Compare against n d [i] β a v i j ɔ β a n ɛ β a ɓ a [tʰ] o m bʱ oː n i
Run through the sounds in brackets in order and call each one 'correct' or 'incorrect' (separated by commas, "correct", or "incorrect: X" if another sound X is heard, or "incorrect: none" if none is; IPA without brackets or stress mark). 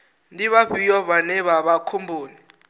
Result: correct, incorrect: kʰ